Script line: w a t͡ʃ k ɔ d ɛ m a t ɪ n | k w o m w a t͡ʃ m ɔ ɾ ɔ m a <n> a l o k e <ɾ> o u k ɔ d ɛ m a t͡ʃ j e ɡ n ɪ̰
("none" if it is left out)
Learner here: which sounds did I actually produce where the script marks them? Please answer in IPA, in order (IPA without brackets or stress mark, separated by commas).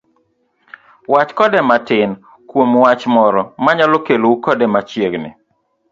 ɲ, l